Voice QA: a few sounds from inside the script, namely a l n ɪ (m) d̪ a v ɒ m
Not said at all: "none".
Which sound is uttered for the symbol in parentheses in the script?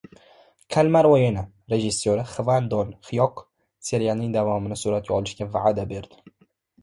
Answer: ŋ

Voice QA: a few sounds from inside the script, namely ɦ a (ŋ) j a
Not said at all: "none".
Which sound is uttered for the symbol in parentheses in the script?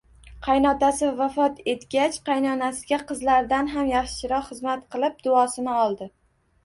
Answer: m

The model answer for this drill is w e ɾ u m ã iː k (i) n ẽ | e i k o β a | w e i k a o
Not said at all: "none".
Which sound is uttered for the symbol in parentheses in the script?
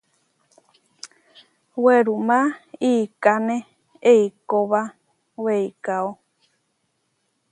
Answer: a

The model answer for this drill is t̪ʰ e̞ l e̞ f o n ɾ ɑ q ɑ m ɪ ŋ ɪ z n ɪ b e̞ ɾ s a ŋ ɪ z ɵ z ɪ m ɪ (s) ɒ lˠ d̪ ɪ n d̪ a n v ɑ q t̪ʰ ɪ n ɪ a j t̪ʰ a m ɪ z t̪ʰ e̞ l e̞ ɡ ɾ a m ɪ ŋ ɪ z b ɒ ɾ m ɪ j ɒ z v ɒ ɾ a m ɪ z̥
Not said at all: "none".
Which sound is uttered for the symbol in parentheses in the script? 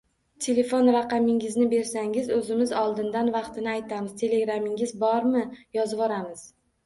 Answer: z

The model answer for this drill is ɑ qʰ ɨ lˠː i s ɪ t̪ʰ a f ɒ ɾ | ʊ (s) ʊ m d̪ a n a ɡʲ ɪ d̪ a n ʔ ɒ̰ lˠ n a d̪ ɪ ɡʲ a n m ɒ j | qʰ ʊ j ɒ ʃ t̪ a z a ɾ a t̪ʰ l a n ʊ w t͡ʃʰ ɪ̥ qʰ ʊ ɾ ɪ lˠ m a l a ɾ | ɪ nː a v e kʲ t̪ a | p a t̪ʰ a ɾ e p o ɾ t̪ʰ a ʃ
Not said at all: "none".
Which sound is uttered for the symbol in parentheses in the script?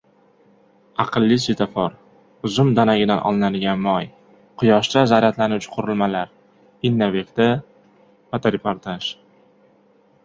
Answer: z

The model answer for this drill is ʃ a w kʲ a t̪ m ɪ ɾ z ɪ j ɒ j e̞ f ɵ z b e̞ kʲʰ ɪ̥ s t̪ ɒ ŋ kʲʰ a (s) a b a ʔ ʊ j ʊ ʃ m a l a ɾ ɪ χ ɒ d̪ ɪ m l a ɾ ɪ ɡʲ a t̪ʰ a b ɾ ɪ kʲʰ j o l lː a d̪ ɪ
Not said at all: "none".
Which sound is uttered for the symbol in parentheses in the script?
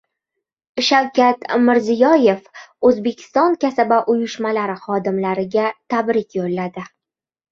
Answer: s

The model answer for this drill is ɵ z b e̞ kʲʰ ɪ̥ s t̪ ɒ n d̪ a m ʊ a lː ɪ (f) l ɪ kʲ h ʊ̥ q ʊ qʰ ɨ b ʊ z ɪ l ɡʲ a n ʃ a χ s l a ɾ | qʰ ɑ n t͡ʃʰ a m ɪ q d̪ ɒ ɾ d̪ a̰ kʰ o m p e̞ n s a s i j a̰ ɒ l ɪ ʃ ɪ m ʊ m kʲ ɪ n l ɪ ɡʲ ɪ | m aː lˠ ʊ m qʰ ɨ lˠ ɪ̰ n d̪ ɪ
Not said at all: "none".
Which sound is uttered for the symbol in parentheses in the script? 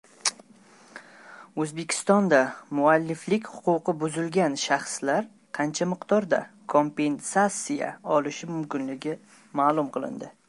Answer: f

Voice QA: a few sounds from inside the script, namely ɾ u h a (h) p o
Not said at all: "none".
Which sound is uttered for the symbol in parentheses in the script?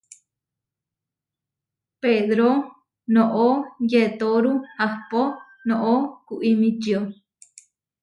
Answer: h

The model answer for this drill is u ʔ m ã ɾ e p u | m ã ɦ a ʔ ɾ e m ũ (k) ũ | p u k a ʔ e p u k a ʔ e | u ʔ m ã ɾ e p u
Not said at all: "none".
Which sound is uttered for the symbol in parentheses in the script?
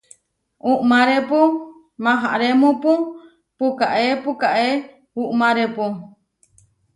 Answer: p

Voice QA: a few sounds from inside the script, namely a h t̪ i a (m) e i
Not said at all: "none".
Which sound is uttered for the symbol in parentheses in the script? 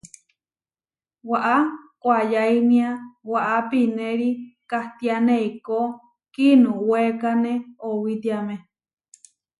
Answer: n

